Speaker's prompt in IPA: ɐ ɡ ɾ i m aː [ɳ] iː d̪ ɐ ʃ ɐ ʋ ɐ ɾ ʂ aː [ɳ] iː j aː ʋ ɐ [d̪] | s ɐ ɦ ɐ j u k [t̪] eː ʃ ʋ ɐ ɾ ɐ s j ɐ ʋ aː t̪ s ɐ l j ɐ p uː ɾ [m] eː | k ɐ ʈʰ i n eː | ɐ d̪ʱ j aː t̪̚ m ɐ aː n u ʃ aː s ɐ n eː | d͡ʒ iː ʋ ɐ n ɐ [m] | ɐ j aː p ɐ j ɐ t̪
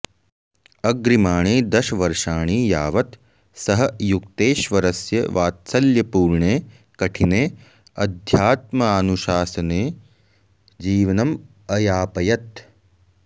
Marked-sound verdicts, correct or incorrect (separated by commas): correct, correct, incorrect, correct, incorrect, correct